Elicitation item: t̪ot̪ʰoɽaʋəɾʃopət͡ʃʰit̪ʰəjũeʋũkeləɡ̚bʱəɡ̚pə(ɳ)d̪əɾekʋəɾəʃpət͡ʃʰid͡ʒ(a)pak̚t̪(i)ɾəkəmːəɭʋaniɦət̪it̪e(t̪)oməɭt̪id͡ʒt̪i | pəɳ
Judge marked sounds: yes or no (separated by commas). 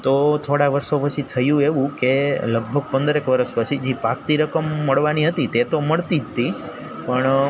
no, no, yes, yes